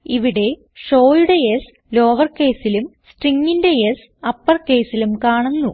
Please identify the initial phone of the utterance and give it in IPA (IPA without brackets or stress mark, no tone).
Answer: i